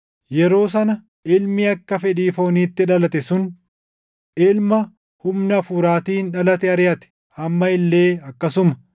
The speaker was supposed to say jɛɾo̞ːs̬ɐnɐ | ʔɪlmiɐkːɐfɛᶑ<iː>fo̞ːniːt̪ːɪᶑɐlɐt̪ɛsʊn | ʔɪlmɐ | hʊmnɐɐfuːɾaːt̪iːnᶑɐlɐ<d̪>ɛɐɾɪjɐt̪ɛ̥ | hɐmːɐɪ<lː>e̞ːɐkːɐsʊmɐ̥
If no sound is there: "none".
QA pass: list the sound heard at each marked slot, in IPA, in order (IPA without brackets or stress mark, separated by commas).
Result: iː, t̪, lː